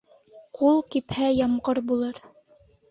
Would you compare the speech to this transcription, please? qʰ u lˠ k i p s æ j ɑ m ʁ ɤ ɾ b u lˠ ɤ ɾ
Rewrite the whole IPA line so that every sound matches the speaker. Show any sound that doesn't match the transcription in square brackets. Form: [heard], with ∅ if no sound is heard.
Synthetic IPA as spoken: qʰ u lˠ k i p [h] æ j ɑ m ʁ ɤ ɾ b u lˠ ɤ ɾ